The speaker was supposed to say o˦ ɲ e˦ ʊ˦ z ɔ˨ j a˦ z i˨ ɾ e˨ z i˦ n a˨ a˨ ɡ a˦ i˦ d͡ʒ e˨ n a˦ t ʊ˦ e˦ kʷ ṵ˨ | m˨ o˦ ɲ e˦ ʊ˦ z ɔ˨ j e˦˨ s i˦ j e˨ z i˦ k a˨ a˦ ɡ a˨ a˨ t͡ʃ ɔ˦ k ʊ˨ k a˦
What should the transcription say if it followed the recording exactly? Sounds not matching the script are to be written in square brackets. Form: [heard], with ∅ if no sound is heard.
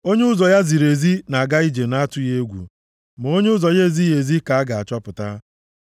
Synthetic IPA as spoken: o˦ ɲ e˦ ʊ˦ z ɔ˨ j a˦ z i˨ ɾ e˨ z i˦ n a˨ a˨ ɡ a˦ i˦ d͡ʒ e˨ n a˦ t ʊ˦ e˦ [ɡʷ] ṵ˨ | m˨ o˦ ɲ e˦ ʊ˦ z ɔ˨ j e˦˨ [z] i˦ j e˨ z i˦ k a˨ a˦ ɡ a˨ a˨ t͡ʃ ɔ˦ [p] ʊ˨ [t] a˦